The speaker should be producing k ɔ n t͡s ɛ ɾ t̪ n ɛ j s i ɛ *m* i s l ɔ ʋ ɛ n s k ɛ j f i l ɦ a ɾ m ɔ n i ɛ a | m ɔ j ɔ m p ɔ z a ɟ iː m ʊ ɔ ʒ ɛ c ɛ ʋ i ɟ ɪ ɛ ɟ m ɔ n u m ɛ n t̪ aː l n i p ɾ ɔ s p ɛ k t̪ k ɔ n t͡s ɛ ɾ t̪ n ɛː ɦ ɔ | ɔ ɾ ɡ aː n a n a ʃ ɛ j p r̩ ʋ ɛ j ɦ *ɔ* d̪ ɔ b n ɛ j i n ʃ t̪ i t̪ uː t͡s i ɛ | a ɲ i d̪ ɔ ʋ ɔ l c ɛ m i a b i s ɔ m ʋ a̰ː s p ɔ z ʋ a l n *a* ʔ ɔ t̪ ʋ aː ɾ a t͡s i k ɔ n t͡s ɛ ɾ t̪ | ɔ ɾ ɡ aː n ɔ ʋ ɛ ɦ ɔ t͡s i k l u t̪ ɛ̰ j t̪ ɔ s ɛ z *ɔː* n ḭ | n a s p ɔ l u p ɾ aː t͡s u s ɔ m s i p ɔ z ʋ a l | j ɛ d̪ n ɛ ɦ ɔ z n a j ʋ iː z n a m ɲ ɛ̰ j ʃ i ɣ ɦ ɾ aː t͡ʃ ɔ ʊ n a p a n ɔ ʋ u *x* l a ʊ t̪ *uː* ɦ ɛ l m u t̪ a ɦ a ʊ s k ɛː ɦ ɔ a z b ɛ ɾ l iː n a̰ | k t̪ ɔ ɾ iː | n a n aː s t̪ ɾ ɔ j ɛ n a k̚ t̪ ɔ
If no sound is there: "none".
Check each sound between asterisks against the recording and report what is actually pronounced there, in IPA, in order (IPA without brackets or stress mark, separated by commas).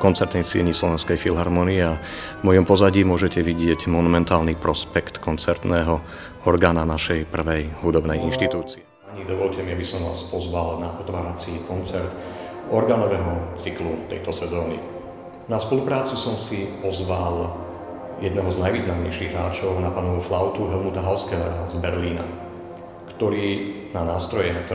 ɲ, u, a, ɔː, f, u